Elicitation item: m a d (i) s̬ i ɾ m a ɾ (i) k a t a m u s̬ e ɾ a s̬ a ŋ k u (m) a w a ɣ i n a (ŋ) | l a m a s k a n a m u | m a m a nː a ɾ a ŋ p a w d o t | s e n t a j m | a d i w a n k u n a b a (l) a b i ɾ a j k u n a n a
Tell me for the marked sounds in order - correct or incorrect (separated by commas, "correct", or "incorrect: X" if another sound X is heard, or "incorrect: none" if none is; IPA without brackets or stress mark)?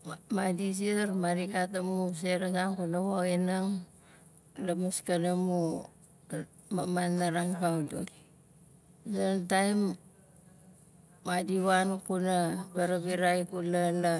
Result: correct, correct, incorrect: n, correct, incorrect: ɾ